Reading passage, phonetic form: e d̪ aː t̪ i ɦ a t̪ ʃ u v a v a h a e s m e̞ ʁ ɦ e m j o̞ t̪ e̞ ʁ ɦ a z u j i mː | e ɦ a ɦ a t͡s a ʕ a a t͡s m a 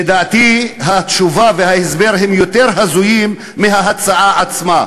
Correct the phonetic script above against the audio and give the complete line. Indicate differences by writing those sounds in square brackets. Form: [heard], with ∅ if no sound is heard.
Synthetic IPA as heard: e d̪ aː t̪ i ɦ a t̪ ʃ u v a v [e] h a e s [b] e̞ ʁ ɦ e m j o̞ t̪ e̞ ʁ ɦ a z u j i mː | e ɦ a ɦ a t͡s a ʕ a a t͡s m a